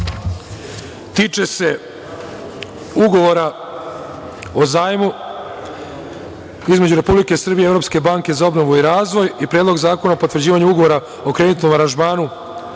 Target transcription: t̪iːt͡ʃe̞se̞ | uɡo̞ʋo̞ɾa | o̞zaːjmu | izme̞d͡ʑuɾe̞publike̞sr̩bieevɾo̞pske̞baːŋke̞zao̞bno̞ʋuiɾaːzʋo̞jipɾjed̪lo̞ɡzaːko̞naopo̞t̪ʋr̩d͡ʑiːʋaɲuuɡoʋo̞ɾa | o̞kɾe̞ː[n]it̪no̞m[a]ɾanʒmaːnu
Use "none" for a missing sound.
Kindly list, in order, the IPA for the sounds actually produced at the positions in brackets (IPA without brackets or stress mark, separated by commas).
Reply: n, a